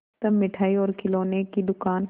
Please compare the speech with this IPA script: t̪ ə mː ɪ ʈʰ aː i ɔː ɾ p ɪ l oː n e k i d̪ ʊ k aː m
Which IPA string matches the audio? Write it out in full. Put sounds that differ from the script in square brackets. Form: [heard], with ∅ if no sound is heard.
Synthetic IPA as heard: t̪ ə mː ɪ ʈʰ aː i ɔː ɾ [k] ɪ l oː n e k i d̪ ʊ k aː [n]